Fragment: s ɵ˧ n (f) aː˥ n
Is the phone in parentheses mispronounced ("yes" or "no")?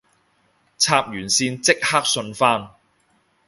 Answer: no